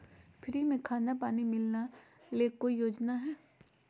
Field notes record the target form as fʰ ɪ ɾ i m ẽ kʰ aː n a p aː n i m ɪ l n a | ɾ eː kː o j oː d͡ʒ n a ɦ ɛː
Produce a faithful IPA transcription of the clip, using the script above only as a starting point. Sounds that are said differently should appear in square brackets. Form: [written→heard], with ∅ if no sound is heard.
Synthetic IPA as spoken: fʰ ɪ ɾ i m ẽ kʰ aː n a p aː n i m ɪ l n a | [ɾ→l] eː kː o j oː d͡ʒ n a ɦ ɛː